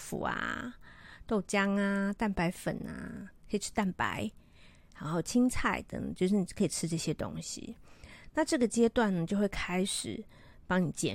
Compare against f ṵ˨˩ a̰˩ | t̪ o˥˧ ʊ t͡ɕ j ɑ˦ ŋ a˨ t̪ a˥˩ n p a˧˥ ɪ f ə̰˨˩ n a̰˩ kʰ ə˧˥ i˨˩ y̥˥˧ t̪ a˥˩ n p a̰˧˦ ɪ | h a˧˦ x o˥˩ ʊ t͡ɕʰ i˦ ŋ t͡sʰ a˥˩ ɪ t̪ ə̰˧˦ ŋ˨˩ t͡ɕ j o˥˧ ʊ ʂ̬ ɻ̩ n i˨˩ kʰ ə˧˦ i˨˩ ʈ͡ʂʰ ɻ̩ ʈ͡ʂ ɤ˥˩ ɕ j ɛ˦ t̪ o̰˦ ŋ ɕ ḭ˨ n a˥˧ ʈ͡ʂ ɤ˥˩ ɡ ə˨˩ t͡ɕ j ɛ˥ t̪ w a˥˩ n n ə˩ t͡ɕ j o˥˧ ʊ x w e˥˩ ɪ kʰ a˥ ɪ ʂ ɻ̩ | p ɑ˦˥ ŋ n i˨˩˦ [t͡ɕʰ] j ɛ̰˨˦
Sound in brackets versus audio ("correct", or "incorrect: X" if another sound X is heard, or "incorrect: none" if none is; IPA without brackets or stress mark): incorrect: t͡ɕ